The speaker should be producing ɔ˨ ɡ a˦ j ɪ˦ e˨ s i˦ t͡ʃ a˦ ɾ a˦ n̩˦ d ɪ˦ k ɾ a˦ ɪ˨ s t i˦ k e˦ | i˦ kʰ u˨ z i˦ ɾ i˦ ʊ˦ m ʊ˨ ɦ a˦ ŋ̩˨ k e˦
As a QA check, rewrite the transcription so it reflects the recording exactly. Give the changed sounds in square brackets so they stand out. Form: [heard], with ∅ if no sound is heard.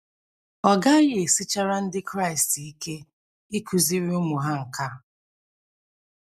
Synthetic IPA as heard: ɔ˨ ɡ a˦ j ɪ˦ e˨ s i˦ t͡ʃ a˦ ɾ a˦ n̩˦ d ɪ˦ k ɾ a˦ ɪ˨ s t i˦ k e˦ | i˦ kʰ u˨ z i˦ ɾ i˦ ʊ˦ m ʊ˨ ɦ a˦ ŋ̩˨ k [a˦]